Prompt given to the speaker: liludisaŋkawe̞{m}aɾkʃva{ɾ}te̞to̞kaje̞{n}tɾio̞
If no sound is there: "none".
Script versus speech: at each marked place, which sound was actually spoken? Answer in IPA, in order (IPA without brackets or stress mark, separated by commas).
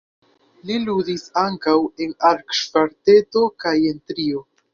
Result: n, ɾ, n